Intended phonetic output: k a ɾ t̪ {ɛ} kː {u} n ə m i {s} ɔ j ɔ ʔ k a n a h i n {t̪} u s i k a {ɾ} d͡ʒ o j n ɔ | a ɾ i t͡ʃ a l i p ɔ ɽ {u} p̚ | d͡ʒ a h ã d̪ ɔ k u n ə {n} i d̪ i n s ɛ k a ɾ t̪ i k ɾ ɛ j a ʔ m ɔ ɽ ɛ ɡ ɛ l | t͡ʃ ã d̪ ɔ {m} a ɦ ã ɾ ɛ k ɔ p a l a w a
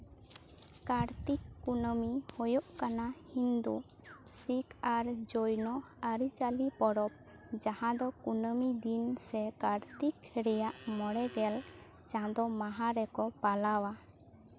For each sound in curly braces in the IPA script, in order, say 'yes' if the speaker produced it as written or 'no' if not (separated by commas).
no, yes, no, no, yes, no, no, yes